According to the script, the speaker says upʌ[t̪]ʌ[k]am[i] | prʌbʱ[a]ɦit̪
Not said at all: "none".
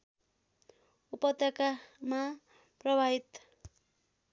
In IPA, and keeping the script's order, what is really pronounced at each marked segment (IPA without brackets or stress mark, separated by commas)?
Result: t̪, k, a, a